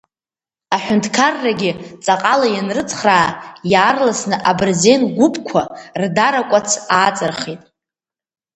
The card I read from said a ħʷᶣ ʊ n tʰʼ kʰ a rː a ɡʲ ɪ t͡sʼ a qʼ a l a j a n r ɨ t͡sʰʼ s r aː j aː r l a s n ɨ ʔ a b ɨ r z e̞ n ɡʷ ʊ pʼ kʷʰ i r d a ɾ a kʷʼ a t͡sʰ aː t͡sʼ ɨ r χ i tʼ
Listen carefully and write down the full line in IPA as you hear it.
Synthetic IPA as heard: a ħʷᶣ ʊ n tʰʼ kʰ a rː a ɡʲ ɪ t͡sʼ a qʼ a l a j a n r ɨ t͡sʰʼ χ r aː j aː r l a s n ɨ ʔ a b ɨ r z e̞ n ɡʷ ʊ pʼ kʷʰ a r d a ɾ a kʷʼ a t͡sʰ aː t͡sʼ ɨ r χ i tʼ